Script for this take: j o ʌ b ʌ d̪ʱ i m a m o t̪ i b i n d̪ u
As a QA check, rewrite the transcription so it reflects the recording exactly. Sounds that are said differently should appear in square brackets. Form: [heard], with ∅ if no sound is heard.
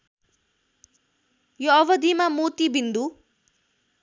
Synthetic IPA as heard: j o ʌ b ʌ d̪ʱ i m a m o t̪ i b i n d̪ u